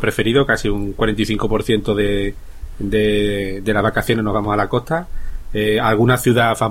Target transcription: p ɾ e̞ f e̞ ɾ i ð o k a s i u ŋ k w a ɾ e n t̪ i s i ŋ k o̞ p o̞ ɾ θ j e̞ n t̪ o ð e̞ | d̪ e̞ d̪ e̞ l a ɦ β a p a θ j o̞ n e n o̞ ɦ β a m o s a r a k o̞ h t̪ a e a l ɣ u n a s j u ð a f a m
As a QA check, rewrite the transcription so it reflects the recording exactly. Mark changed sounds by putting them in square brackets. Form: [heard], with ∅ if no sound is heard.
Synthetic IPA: p ɾ e̞ f e̞ ɾ i ð o k a s i u ŋ k w a ɾ e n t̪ i [θ] i ŋ k o̞ p o̞ ɾ θ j e̞ n t̪ o ð e̞ | d̪ e̞ d̪ e̞ l a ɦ β a [k] a θ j o̞ n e n o̞ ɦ β a m o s a [l] a k o̞ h t̪ a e a l ɣ u n a [θ] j u ð a f a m